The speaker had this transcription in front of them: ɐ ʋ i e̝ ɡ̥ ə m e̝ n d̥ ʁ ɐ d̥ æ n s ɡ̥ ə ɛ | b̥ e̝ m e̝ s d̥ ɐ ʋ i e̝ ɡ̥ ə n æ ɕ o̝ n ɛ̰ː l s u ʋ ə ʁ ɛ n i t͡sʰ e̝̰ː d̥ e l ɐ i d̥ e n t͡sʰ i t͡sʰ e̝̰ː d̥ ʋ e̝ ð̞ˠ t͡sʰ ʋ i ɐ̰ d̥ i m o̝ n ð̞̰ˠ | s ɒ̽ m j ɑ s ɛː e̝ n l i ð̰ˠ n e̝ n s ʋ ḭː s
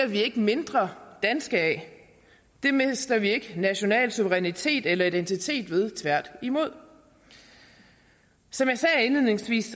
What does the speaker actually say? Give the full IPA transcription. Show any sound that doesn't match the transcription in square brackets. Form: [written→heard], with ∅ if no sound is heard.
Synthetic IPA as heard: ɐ ʋ i e̝ ɡ̥ ə m e̝ n d̥ ʁ ɐ d̥ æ n s ɡ̥ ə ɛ | [b̥→d̥] e̝ m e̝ s d̥ ɐ ʋ i e̝ ɡ̥ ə n æ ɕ o̝ n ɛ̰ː l s u ʋ ə ʁ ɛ n i t͡sʰ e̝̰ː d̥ e l ɐ i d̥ e n t͡sʰ i t͡sʰ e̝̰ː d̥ ʋ e̝ ð̞ˠ t͡sʰ ʋ [i→æ] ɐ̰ d̥ i m o̝ [n→∅] ð̞̰ˠ | s ɒ̽ m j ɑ s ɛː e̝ n l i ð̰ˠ n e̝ [n→ŋ] s ʋ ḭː s

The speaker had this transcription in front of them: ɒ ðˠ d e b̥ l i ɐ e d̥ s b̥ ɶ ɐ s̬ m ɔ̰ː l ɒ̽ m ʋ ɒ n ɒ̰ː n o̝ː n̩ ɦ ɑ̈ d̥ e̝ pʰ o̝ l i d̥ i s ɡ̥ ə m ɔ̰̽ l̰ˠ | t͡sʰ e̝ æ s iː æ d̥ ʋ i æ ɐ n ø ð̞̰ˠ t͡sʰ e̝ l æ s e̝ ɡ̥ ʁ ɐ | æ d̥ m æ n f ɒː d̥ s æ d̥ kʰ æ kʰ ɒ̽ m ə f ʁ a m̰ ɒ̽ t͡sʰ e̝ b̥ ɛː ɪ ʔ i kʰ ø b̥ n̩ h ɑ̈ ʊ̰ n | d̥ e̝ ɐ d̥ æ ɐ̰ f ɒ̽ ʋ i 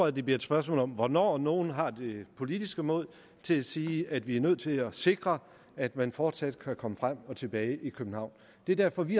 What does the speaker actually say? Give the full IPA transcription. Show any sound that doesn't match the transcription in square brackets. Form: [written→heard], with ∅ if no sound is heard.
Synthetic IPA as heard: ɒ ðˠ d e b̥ l i ɐ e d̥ s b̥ ɶ ɐ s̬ m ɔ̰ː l ɒ̽ m ʋ ɒ n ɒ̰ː n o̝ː n̩ ɦ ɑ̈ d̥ e̝ pʰ o̝ l i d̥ i s ɡ̥ ə m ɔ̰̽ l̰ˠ | t͡sʰ e̝ æ s iː æ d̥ ʋ i æ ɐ n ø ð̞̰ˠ t͡sʰ e̝ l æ s e̝ ɡ̥ ʁ ɐ | æ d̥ m æ n f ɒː d̥ s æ d̥ kʰ æ kʰ ɒ̽ m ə f ʁ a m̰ ɒ̽ t͡sʰ e̝ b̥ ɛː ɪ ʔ i kʰ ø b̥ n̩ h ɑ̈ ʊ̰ n | d̥ e̝ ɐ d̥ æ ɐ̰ f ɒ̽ ʋ i

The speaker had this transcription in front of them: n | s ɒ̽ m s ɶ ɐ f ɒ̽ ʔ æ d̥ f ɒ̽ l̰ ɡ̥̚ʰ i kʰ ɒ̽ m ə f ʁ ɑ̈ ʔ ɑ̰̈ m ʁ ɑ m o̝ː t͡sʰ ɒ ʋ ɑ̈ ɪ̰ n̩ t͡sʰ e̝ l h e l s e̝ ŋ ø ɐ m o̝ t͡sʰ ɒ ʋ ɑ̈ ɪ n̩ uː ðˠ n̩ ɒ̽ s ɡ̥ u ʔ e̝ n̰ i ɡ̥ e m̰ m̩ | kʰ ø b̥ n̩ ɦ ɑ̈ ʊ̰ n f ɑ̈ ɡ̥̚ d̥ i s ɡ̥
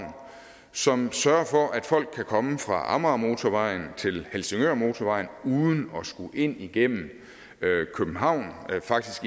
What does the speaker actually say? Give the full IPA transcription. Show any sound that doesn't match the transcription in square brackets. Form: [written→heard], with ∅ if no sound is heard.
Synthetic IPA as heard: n | s ɒ̽ m s ɶ ɐ f ɒ̽ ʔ æ d̥ f ɒ̽ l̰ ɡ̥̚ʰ [i→æ] kʰ ɒ̽ m ə f ʁ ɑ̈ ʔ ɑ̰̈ m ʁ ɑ m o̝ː t͡sʰ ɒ ʋ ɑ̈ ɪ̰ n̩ t͡sʰ e̝ l h e l s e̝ ŋ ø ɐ m o̝ t͡sʰ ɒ ʋ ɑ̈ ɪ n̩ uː ðˠ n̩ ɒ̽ s ɡ̥ u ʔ e̝ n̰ i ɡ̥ e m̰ m̩ | kʰ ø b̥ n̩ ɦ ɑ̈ ʊ̰ n f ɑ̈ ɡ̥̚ d̥ i s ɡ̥

